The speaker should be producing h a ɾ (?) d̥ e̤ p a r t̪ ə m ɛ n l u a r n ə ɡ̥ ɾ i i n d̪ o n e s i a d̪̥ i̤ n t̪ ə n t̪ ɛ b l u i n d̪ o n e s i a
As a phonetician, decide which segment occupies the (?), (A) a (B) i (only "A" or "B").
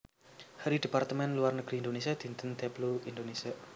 B